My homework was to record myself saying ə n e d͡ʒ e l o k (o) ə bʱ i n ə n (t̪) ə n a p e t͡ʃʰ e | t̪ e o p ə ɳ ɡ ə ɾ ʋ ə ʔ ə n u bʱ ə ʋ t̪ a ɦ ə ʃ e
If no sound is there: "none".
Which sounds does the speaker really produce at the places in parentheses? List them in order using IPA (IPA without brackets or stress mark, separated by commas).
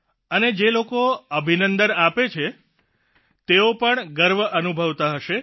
o, d̪